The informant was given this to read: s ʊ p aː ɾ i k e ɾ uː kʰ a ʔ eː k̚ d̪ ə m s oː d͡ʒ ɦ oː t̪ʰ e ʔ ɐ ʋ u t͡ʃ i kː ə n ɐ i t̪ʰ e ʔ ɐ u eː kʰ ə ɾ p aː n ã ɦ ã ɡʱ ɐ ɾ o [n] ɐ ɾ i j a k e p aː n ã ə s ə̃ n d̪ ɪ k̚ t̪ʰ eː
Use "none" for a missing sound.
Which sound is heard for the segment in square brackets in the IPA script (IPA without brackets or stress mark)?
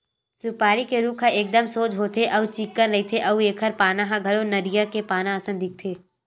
n